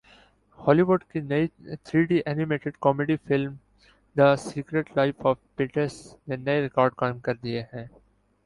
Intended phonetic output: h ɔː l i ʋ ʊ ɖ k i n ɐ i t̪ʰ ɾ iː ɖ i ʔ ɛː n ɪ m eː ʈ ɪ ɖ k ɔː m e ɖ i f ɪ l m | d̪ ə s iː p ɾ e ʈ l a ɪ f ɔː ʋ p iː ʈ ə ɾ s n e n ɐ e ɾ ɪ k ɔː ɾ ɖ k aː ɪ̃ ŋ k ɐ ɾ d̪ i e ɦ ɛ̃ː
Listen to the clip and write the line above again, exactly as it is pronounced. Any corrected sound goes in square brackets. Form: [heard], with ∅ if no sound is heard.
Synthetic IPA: h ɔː l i ʋ ʊ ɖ k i n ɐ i t̪ʰ ɾ iː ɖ i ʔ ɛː n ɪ m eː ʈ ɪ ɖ k ɔː m e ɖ i f ɪ l m | d̪ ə s iː [k] ɾ e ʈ l a ɪ f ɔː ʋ p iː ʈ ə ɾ s n e n ɐ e ɾ ɪ k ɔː ɾ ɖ k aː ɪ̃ [m] k ɐ ɾ d̪ i e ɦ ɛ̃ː